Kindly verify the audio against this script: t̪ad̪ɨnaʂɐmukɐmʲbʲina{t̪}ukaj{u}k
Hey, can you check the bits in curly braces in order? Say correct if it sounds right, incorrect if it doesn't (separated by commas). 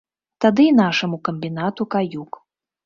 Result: correct, correct